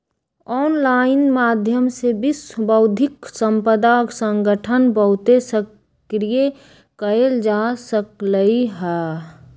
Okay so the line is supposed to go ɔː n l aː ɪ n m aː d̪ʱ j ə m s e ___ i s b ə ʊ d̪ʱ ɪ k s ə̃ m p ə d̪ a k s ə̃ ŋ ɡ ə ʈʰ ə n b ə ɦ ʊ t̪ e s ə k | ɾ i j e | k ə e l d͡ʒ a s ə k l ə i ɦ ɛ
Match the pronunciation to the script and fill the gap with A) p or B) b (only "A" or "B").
B